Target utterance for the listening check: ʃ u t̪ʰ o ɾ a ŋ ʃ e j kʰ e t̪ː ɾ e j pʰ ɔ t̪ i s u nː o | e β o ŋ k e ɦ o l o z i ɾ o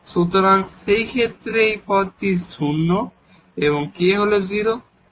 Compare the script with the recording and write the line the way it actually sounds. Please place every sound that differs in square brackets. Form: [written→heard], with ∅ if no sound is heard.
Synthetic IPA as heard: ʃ u [t̪ʰ→t̪] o ɾ a ŋ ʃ e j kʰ e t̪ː ɾ e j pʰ ɔ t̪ i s u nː o | e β o ŋ k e ɦ o l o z i ɾ o